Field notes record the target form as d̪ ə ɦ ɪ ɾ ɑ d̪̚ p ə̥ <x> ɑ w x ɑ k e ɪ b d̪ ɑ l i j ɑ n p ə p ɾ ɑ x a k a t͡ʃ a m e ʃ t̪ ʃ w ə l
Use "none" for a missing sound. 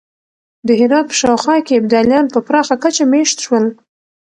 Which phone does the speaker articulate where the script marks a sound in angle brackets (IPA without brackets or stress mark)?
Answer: ʃ